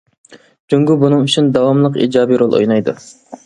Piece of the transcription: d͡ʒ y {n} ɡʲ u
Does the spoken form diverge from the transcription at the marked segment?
yes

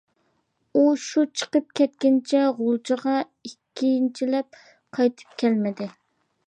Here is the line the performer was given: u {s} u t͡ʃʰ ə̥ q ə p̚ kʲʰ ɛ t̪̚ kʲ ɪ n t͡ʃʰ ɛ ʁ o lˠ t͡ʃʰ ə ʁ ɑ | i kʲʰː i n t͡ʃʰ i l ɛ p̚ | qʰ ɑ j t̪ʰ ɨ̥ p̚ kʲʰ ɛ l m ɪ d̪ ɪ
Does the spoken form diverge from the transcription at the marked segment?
yes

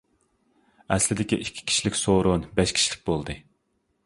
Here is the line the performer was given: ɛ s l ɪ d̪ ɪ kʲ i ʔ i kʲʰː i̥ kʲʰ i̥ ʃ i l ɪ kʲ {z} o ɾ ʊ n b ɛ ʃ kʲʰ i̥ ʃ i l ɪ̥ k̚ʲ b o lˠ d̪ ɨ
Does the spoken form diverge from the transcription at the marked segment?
yes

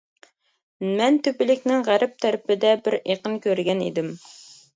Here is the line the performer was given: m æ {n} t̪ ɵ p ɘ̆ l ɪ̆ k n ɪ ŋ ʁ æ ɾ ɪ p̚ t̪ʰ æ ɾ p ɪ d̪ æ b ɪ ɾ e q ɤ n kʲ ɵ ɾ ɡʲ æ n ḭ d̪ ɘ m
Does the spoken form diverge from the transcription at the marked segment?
no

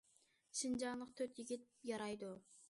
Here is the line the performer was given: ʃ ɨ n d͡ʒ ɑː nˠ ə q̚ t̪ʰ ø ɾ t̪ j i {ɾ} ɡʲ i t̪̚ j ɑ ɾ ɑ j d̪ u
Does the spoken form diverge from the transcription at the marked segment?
yes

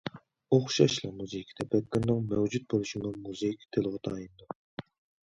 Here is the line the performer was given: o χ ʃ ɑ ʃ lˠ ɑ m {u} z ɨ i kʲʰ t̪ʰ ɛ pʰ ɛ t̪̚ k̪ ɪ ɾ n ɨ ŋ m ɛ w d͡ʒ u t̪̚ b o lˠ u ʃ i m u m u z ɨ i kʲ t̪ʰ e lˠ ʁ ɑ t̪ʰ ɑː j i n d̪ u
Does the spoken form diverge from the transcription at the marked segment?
no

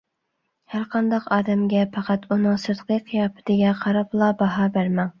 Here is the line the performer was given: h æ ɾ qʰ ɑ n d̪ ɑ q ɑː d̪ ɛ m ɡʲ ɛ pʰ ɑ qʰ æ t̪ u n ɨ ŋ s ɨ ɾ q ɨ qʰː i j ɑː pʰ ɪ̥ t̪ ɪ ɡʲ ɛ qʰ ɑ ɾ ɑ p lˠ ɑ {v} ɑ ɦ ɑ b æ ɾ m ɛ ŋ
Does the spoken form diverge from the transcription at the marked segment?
yes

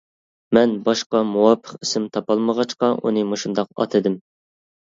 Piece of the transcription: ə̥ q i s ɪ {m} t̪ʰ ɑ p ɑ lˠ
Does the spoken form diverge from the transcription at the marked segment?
no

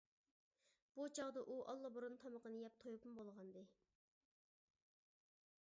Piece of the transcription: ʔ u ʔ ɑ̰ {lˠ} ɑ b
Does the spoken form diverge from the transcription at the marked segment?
yes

